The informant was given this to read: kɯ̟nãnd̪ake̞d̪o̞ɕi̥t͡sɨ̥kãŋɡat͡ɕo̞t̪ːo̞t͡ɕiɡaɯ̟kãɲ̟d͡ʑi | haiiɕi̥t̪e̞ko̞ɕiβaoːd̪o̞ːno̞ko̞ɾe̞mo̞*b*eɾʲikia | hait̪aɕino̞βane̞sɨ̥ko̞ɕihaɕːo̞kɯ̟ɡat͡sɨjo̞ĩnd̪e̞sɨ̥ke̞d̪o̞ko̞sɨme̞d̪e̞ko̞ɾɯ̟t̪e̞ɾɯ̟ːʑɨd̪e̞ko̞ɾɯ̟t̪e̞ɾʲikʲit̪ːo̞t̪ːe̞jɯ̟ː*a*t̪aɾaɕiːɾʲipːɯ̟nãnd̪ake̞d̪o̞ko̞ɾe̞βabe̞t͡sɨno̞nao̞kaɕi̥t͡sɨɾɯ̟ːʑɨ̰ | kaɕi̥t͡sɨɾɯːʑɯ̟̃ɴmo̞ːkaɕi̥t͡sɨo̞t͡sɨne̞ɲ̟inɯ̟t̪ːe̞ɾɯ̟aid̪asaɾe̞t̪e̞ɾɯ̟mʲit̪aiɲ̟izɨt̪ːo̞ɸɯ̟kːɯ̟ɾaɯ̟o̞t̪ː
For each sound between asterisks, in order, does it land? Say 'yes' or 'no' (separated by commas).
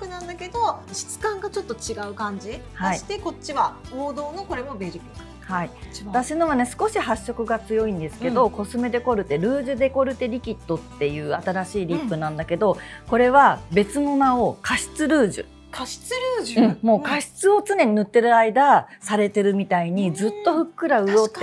yes, yes